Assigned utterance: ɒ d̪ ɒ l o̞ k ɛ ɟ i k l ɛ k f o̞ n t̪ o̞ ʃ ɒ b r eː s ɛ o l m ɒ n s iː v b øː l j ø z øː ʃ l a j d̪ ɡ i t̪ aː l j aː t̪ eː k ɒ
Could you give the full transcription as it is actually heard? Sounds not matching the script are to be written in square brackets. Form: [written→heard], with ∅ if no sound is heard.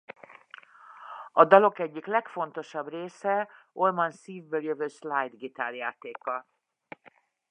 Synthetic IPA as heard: ɒ d̪ ɒ l o̞ k ɛ [ɟ→ɟː] i k l ɛ k f o̞ n t̪ o̞ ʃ ɒ b r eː s ɛ o l m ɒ n s iː v b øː l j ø [z→v] øː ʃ l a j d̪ ɡ i t̪ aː l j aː t̪ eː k ɒ

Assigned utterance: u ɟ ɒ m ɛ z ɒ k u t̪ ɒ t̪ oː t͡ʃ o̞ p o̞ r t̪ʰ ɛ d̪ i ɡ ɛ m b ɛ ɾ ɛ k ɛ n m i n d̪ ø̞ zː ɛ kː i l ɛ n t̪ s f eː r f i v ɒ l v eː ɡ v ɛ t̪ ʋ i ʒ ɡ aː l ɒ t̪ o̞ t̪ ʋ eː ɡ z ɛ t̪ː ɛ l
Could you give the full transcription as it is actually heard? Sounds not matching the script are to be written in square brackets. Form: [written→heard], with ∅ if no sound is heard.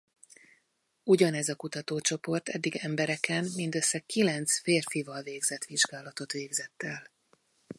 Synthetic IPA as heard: u ɟ ɒ [m→n] ɛ z ɒ k u t̪ ɒ t̪ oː t͡ʃ o̞ p o̞ r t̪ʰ ɛ [d̪→d̪ː] i ɡ ɛ m b ɛ ɾ ɛ k ɛ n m i n d̪ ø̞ [zː→sː] ɛ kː i l ɛ n t̪ s f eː r f i v ɒ l v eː ɡ [v→z] ɛ t̪ ʋ i ʒ ɡ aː l ɒ t̪ o̞ t̪ ʋ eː ɡ z ɛ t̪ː ɛ l

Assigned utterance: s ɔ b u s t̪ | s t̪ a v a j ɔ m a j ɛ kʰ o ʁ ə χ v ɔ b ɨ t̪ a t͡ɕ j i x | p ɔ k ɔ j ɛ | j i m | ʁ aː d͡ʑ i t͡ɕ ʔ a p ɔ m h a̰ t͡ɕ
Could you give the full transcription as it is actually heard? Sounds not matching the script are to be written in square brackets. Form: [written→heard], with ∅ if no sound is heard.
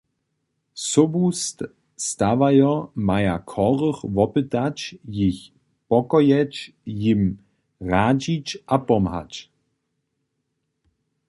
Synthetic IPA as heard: s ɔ b u s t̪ | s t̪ a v a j ɔ m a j [ɛ→a] kʰ [o→ɔ] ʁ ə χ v ɔ [b→p] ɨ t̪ a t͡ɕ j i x | p ɔ k ɔ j ɛ | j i m | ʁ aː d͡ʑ i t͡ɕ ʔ a p ɔ m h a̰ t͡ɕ

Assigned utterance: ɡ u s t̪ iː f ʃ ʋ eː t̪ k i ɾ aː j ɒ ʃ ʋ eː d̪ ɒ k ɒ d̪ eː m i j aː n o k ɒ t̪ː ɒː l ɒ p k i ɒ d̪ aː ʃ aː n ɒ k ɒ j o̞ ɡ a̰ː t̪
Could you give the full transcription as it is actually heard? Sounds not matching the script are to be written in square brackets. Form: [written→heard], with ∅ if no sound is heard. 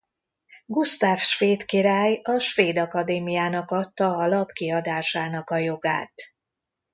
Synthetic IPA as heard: ɡ u s t̪ [iː→aː] f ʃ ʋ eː t̪ k i ɾ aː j ɒ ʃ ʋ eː d̪ ɒ k ɒ d̪ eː m i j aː n [o→ɒ] k ɒ t̪ː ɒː l ɒ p k i ɒ d̪ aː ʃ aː n ɒ k ɒ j o̞ ɡ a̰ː t̪

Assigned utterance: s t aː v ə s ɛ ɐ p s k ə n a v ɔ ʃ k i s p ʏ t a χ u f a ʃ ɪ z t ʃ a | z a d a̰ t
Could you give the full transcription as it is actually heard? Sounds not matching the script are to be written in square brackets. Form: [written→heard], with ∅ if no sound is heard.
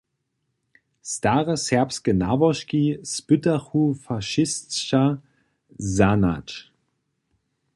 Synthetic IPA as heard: s t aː [v→ʁ] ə s ɛ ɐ p s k ə n a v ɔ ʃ k i s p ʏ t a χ u f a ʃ ɪ [z→s] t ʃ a | z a [d→n] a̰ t

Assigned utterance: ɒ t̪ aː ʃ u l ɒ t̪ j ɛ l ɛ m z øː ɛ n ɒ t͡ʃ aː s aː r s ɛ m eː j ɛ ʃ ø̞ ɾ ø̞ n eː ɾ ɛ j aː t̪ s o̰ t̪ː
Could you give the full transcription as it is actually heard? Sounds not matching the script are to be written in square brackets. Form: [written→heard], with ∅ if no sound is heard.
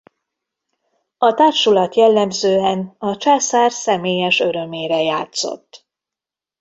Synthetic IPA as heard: ɒ t̪ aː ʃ u l ɒ t̪ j ɛ [l→lː] ɛ m z øː ɛ n ɒ t͡ʃ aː s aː r s ɛ m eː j ɛ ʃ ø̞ ɾ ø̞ [n→m] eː ɾ ɛ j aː t̪ s o̰ t̪ː

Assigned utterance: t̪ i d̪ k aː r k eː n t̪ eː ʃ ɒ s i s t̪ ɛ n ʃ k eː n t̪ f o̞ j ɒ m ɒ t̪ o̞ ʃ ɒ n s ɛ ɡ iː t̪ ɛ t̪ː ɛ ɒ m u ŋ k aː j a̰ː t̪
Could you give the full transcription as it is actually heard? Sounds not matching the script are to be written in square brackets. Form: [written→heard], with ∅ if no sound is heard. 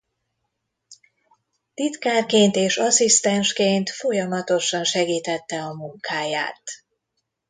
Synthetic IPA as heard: t̪ i [d̪→t̪] k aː r k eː n t̪ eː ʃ ɒ s i s t̪ ɛ n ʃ k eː n t̪ f o̞ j ɒ m ɒ t̪ o̞ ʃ ɒ n [s→ʃ] ɛ ɡ iː t̪ ɛ t̪ː ɛ ɒ m u ŋ k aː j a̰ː t̪

